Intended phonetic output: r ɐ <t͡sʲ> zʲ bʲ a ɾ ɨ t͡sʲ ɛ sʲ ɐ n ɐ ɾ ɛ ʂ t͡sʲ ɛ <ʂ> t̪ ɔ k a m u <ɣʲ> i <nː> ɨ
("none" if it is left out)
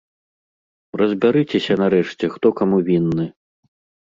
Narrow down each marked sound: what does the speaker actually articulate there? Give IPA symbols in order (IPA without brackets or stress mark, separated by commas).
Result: none, x, vʲ, nː